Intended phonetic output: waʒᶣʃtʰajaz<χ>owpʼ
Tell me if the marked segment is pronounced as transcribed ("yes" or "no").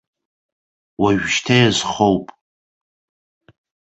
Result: yes